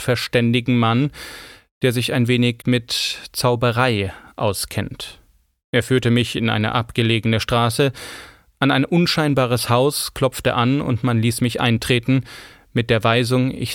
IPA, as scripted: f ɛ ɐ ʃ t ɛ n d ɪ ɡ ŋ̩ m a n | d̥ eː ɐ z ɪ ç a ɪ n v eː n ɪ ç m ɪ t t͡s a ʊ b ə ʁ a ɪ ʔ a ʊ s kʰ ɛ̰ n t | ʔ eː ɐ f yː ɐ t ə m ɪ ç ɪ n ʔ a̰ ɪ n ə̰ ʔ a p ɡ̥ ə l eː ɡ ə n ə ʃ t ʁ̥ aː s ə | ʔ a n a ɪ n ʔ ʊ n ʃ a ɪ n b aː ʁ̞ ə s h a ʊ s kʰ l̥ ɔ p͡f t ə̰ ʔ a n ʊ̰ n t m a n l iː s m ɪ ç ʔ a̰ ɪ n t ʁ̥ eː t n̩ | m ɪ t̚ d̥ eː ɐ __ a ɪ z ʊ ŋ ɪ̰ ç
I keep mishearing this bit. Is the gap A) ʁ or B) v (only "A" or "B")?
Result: B